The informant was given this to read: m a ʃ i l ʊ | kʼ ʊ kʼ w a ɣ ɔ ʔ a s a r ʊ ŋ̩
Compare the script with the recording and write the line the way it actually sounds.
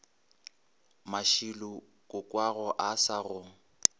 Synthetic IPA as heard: m a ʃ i l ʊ | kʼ ʊ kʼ w a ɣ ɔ ʔ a s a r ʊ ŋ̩